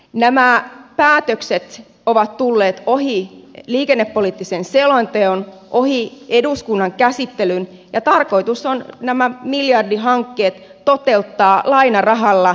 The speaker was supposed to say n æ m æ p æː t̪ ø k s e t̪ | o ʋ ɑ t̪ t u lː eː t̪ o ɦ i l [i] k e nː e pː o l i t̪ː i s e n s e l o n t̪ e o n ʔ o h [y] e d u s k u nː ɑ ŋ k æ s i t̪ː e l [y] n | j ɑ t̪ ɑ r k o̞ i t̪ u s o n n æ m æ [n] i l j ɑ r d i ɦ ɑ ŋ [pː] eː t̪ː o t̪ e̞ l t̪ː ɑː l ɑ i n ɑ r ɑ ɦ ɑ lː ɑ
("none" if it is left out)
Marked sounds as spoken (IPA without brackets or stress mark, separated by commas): iː, i, y, m, kː